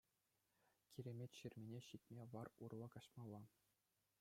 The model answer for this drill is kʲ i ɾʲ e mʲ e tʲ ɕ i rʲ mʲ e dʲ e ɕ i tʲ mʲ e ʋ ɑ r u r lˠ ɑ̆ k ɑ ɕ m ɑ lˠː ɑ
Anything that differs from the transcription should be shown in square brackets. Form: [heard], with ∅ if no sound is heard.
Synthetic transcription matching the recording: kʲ i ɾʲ e mʲ e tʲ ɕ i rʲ mʲ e [nʲ] e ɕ i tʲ mʲ e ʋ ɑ r u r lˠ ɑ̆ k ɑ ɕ m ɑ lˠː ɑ